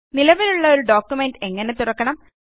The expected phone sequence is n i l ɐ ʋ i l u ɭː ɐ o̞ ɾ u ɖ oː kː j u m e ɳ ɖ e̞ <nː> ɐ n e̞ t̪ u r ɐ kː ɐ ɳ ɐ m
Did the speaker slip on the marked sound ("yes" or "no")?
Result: yes